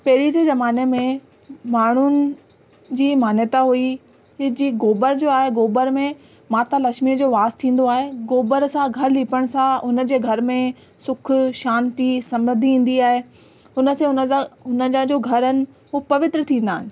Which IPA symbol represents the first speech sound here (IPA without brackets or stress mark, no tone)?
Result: p